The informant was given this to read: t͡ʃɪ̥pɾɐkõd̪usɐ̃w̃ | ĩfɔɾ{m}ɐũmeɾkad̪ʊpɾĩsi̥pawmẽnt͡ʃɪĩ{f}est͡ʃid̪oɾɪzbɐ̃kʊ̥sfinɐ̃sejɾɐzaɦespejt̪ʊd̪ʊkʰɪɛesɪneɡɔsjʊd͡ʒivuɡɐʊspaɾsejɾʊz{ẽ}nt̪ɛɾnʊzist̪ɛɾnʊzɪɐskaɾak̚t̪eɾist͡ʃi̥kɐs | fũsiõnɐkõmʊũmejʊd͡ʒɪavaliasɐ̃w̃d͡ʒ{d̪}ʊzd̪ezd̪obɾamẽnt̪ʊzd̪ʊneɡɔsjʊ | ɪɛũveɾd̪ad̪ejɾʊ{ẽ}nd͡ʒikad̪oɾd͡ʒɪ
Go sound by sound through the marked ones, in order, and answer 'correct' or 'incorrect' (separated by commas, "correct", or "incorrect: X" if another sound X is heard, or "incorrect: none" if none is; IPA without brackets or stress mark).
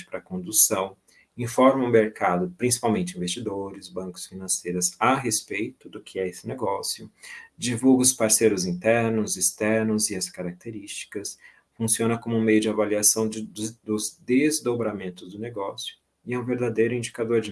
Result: correct, incorrect: v, incorrect: ĩ, correct, incorrect: ĩ